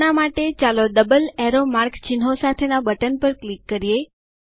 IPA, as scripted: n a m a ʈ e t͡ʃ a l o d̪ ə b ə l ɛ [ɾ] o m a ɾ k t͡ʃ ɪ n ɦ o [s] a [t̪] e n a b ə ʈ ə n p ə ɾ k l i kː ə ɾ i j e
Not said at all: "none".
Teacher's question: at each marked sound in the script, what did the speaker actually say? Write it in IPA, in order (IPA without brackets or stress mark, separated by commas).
ɾ, s, t̪ʰ